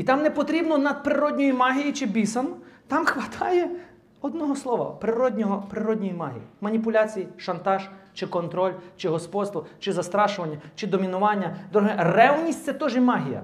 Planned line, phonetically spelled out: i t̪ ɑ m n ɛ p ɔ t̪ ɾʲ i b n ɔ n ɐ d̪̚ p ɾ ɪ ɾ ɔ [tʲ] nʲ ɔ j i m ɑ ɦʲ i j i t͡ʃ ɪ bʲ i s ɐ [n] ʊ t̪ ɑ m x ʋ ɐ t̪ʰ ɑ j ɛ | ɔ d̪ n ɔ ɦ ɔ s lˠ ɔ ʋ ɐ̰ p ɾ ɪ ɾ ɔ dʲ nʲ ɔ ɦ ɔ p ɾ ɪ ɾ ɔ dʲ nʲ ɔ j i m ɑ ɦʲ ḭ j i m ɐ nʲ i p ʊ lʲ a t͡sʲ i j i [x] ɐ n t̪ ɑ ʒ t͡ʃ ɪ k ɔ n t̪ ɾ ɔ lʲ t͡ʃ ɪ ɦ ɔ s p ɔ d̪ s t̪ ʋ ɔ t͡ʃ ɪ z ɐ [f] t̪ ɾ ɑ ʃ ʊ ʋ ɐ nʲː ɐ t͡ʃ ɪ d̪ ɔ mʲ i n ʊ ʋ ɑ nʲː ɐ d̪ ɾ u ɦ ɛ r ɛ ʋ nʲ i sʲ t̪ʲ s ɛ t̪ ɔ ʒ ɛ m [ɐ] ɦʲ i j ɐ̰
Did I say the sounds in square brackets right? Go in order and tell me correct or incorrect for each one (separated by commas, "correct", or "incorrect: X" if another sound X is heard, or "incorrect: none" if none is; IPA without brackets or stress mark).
incorrect: dʲ, correct, incorrect: ʃ, incorrect: s, incorrect: ɑ